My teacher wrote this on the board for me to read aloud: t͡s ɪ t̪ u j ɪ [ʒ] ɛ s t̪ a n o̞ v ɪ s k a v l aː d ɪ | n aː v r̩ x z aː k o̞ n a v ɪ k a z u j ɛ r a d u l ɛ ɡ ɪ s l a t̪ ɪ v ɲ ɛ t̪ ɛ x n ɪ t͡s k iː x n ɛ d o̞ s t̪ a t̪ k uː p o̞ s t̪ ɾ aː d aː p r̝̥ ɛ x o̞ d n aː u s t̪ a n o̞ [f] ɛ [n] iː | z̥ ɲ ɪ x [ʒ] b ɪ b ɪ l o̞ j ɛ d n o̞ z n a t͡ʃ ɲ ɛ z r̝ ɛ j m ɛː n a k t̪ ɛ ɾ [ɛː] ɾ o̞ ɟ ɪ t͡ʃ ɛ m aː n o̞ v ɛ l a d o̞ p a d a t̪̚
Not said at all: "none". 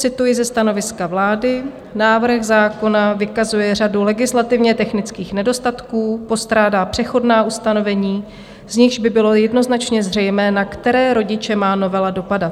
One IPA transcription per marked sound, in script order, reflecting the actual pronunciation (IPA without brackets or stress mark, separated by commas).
z, v, ɲ, ʒ, ɛː